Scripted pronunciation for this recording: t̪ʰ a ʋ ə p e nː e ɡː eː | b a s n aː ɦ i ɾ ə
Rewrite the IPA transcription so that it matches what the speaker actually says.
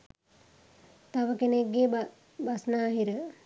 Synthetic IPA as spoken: t̪ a ʋ ə k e n e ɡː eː | b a s n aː ɦ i ɾ ə

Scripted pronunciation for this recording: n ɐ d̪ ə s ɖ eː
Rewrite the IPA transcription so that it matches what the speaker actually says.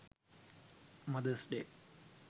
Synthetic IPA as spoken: m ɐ d̪ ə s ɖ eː

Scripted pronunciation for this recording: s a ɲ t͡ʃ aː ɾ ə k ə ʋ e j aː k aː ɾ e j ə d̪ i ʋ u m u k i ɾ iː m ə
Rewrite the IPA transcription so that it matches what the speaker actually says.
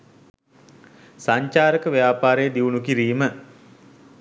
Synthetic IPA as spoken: s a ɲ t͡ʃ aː ɾ ə k ə ʋ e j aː p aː ɾ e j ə d̪ i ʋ u n u k i ɾ iː m ə

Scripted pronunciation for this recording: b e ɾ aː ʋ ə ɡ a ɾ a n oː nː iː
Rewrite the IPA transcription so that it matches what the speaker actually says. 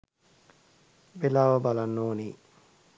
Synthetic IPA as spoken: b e l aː ʋ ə b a l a nː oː n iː

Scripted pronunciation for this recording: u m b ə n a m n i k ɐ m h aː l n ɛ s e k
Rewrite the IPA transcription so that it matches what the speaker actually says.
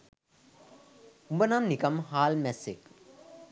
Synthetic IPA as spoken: u m b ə n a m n i k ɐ m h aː l m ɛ s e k

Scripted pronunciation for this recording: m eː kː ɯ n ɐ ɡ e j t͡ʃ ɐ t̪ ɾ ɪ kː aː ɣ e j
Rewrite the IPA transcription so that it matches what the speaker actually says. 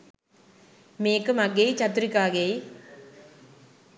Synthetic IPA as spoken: m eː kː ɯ m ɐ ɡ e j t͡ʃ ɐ t̪ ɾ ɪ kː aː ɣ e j

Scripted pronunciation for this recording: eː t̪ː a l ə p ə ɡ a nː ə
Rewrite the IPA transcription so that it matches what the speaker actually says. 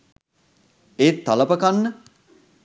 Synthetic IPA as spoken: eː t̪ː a l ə p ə k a nː ə

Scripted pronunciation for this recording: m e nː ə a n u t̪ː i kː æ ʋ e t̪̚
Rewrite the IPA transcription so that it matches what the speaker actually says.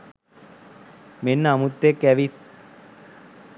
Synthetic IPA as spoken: m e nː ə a m u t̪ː e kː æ ʋ i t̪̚

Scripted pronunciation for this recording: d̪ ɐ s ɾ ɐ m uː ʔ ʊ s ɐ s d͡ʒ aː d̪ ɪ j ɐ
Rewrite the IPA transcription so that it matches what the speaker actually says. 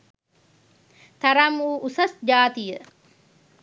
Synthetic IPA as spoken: t̪ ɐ ɾ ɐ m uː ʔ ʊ s ɐ s d͡ʒ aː t̪ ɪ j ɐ

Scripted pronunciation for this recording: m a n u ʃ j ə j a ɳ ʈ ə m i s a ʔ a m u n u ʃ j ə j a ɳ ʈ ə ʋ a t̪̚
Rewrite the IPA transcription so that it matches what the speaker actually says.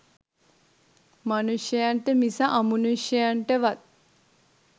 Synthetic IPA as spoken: m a n u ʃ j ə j a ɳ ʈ ə m i s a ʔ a m u n u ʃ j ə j a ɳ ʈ ə ʋ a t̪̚

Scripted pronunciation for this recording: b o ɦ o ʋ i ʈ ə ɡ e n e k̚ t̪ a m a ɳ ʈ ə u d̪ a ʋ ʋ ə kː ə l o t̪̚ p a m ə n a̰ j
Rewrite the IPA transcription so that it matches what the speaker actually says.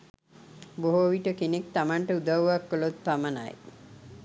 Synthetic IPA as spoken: b o ɦ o ʋ i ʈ ə k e n e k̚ t̪ a m a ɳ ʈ ə u d̪ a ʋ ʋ a kː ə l o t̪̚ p a m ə n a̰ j

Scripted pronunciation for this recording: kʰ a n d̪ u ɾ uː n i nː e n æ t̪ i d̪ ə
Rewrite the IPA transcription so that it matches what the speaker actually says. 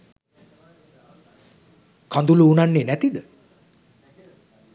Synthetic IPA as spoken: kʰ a n d̪ u l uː n a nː e n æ t̪ i d̪ ə

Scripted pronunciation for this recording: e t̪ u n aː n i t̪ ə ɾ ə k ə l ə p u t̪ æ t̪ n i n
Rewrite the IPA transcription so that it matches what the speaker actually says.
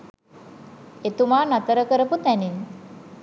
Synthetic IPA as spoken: e t̪ u m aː n a t̪ ə ɾ ə k ə ɾ ə p u t̪ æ n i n

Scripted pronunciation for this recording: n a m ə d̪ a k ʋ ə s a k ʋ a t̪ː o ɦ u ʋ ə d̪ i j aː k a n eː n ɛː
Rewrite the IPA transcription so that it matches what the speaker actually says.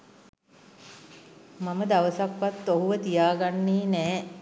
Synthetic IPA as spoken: m a m ə d̪ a ʋ ə s a k ʋ a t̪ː o ɦ u ʋ ə t̪ i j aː ɡ a nː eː n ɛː

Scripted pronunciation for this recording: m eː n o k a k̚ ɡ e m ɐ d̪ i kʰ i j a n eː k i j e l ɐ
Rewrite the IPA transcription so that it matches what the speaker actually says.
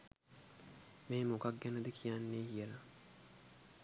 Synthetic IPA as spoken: m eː m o k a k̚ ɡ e n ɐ d̪ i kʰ i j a nː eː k i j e l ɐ

